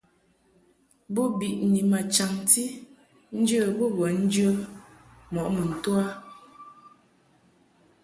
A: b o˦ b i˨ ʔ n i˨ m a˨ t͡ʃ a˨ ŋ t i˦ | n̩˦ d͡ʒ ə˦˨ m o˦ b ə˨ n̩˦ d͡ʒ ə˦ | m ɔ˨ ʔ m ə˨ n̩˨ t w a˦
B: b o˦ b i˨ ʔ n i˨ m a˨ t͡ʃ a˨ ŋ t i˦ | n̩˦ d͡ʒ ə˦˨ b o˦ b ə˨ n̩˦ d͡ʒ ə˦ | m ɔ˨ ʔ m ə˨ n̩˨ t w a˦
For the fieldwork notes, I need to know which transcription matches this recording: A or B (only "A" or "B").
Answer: B